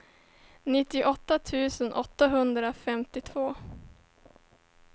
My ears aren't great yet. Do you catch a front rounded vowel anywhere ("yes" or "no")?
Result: no